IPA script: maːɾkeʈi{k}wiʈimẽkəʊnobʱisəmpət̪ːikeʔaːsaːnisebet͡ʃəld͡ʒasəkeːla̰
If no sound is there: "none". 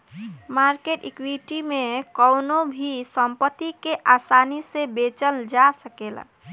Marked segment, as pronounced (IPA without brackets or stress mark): k